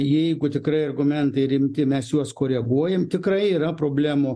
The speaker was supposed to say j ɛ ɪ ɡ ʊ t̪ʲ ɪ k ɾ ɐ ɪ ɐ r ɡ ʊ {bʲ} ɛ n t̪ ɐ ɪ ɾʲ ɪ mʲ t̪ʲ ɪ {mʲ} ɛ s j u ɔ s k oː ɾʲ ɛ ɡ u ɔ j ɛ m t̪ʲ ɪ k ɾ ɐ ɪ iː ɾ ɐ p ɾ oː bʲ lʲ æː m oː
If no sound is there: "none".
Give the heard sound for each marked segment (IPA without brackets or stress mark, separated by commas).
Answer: mʲ, mʲ